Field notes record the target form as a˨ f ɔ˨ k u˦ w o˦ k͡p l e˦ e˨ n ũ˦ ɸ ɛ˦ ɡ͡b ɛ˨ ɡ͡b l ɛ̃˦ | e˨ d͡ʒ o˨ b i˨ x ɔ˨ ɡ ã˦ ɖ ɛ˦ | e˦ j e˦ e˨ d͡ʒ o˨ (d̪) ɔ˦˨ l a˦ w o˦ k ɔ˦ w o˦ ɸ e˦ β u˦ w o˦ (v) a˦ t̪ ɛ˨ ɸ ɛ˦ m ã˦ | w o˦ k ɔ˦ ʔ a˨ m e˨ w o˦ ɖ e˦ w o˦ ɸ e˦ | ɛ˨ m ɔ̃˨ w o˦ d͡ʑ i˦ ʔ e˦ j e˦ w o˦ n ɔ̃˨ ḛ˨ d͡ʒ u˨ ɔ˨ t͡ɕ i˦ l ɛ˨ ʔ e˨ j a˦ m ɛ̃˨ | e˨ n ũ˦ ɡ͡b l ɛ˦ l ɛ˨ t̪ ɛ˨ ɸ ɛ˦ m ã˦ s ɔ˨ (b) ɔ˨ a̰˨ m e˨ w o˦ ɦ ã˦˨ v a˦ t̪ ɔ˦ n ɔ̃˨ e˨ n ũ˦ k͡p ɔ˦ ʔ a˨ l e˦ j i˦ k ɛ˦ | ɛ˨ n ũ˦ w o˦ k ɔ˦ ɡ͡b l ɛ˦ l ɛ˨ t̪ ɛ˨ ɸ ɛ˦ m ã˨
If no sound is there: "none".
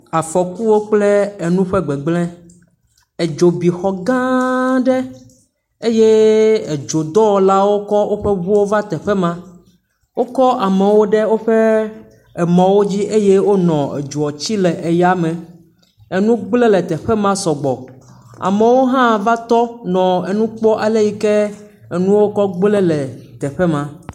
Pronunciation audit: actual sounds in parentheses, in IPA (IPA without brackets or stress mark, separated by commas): d̪, v, ɡ͡b